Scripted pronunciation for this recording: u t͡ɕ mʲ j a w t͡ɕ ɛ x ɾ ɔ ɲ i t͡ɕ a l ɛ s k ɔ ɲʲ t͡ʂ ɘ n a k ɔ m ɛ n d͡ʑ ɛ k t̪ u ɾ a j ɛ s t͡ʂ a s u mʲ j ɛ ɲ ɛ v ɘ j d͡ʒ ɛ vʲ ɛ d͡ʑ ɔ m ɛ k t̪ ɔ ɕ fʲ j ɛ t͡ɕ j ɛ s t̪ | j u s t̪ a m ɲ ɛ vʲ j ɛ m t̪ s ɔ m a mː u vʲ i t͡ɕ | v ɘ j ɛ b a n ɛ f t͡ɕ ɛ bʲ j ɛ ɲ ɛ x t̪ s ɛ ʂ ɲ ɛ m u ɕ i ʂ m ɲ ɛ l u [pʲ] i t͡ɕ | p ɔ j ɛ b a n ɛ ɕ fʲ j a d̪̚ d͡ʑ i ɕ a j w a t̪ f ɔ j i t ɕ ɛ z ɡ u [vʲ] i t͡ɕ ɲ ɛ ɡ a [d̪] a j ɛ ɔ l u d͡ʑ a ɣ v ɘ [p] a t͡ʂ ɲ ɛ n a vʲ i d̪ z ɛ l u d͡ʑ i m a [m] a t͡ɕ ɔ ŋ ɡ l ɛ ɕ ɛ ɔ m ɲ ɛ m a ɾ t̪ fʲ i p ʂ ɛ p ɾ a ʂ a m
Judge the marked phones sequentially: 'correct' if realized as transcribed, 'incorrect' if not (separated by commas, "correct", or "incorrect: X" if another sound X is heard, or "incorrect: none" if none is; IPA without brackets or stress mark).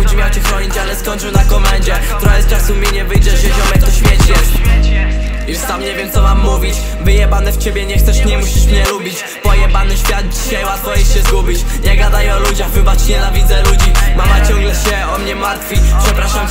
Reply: incorrect: bʲ, incorrect: bʲ, correct, incorrect: b, correct